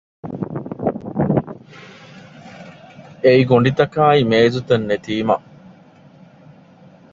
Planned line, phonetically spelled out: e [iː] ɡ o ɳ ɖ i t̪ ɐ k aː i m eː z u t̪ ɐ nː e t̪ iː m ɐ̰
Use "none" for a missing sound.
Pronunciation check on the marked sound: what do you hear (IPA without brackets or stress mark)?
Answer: i